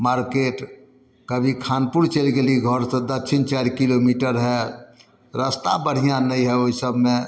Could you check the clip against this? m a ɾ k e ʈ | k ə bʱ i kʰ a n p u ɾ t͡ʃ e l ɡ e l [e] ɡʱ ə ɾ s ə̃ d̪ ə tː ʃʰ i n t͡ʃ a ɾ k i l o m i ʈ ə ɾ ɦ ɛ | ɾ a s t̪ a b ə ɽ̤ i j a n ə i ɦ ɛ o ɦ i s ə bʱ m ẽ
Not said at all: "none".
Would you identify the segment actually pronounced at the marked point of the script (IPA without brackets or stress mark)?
i